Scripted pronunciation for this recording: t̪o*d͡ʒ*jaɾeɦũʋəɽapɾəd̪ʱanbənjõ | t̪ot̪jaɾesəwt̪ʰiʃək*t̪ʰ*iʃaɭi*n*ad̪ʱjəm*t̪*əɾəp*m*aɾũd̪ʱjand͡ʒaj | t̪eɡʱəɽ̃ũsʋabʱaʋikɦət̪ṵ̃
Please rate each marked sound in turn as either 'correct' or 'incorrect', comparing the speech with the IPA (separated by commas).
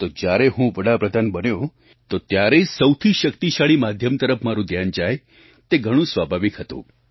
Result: correct, incorrect, incorrect, correct, correct